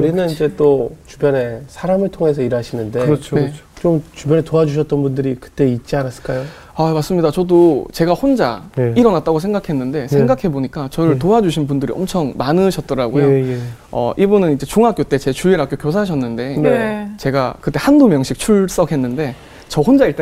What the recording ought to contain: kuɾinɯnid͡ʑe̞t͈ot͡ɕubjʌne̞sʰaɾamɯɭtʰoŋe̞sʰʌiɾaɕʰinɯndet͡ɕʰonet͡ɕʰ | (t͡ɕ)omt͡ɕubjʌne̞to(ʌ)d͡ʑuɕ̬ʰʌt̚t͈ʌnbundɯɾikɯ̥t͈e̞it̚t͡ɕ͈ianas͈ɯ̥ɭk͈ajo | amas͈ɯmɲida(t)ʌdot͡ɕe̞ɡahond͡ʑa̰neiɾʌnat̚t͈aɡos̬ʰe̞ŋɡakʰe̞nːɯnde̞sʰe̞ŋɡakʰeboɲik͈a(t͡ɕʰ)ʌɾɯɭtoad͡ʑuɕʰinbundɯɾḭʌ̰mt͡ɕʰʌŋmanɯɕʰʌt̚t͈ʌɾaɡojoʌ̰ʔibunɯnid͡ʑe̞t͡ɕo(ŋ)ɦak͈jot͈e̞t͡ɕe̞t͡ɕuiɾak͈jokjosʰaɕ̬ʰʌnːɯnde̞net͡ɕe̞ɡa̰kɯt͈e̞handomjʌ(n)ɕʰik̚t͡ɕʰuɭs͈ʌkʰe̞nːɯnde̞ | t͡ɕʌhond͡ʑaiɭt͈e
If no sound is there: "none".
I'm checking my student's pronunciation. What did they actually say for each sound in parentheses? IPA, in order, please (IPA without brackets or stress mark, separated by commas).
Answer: t͡ɕ, a, t͡ɕ, t͡ɕ, ŋ, ŋ